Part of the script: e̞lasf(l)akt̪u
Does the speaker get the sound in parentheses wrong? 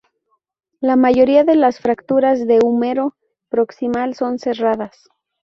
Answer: yes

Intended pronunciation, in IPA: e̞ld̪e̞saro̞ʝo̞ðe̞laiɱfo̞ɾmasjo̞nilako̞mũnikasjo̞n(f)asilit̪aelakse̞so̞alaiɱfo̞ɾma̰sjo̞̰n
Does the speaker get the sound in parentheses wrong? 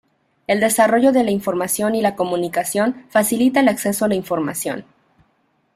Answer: no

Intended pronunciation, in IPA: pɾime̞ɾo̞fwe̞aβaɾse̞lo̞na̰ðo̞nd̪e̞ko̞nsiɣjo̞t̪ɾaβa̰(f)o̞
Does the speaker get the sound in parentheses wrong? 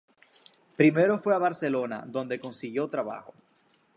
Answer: yes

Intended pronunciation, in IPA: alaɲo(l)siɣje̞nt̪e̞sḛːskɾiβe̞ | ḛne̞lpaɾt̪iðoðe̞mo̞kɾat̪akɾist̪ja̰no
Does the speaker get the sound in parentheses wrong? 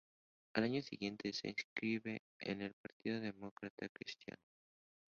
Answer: yes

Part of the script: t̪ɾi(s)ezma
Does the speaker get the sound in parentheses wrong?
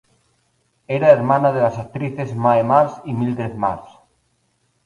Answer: yes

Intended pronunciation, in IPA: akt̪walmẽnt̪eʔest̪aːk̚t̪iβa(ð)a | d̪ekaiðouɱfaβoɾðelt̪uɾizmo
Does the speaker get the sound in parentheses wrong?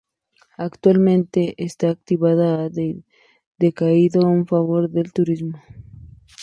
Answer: no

